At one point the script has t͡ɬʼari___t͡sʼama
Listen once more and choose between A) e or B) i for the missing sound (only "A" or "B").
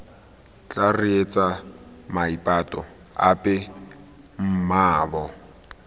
A